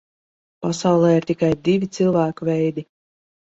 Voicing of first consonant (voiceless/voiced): voiceless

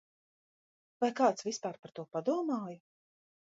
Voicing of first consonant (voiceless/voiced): voiced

